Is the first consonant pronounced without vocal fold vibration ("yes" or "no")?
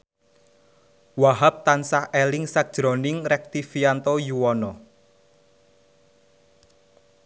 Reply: no